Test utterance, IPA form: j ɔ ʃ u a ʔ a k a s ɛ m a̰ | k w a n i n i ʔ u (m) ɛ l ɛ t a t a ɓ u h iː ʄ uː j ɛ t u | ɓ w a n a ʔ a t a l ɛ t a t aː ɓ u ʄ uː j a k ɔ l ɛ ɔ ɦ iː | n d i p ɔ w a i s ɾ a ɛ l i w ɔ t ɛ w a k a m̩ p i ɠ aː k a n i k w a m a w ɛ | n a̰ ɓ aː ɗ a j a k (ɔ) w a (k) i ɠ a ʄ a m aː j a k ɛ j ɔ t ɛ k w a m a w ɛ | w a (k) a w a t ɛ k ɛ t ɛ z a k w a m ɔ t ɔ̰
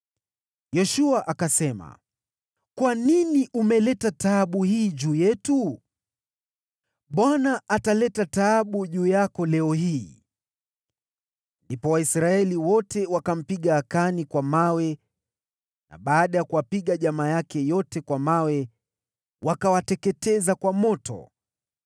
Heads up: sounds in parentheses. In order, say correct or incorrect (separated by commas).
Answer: correct, incorrect, incorrect, correct